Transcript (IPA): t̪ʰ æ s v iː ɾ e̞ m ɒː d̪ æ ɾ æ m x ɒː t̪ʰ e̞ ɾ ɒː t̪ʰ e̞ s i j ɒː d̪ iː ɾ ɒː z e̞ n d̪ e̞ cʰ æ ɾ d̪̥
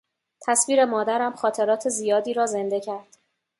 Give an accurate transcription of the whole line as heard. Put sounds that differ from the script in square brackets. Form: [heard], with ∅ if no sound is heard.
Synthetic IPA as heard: t̪ʰ æ s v iː ɾ e̞ m ɒː d̪ æ ɾ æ m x ɒː t̪ʰ e̞ ɾ ɒː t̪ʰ e̞ [z] i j ɒː d̪ iː ɾ ɒː z e̞ n d̪ e̞ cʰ æ ɾ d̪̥